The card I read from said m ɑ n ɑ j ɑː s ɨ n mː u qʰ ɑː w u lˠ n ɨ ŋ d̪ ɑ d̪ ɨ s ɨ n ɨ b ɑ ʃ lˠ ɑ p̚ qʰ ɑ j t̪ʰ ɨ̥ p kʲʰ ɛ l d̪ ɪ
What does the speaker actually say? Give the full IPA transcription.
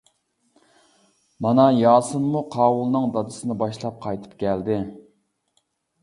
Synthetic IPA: m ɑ n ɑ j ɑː s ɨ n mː u qʰ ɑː w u lˠ n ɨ ŋ d̪ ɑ d̪ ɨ s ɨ n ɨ b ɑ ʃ lˠ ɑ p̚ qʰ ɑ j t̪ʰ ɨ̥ p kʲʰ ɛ l d̪ ɪ